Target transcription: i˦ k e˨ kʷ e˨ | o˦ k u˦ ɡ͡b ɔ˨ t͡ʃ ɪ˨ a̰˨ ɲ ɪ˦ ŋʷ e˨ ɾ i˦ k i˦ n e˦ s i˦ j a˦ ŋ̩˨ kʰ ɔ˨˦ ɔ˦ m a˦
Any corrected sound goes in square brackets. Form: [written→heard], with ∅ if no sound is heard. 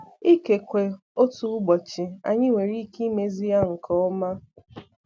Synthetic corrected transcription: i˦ k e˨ kʷ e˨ | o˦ [k→t] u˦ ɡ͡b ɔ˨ t͡ʃ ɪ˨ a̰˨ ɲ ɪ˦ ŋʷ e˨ ɾ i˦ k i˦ [n→m] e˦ [s→z] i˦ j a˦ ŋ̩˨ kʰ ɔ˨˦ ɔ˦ m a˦